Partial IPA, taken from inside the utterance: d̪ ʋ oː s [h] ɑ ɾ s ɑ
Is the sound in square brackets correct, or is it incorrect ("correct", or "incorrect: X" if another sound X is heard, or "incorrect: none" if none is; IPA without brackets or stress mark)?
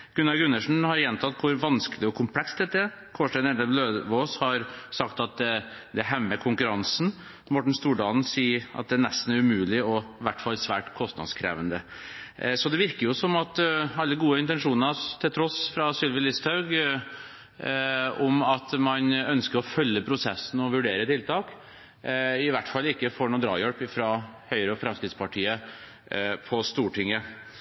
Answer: correct